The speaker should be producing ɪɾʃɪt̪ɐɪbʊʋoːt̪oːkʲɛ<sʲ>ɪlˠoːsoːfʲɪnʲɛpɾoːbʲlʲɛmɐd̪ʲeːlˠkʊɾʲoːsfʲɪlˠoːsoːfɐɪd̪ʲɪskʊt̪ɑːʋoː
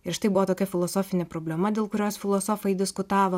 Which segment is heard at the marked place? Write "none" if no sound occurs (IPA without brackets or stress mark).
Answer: fʲ